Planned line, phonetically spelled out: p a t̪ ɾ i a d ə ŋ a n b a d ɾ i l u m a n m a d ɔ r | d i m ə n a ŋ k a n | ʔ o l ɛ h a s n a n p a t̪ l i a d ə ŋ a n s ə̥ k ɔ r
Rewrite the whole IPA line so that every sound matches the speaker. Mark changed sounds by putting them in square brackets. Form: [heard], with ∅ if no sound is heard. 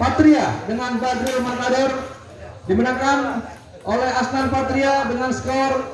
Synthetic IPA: p a t̪ ɾ i a d ə ŋ a n b a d ɾ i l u m a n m a d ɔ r | d i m ə n a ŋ k a n | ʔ o l ɛ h a s n a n p a t̪ [ɾ] i a d ə ŋ a n s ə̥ k ɔ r